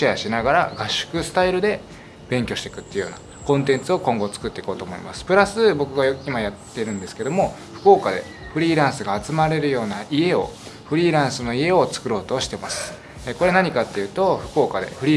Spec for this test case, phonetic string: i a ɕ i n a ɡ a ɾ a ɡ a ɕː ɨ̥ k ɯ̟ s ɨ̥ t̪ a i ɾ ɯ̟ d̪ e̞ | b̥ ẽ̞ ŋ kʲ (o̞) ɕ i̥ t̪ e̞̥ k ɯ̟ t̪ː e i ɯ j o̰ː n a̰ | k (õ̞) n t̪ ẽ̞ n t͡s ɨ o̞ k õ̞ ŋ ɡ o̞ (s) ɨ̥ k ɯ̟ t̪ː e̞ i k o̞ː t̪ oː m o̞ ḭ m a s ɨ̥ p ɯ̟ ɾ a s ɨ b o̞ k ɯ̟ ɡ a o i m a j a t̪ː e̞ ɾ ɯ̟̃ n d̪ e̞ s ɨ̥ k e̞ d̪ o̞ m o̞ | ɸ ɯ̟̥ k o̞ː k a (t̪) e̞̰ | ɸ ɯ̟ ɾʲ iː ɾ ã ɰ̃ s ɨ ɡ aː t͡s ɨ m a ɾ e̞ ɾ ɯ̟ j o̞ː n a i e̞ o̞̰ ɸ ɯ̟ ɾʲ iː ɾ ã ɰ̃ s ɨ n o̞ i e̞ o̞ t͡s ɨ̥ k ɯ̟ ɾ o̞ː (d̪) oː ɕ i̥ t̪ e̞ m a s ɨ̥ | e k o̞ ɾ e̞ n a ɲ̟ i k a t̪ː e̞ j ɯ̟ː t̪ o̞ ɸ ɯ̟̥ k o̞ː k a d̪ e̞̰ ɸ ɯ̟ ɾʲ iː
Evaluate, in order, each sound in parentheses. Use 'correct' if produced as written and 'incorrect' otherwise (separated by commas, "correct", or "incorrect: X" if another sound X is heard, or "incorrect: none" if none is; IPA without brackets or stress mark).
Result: correct, correct, incorrect: t͡s, incorrect: d̪, incorrect: t̪